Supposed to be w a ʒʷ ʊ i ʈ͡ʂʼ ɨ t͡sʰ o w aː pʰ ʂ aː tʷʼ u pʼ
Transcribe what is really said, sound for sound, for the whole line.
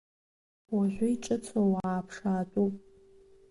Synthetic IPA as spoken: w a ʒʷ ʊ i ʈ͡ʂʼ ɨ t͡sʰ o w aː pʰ ʂ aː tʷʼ u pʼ